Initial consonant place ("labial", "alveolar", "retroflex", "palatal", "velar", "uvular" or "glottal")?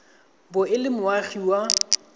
labial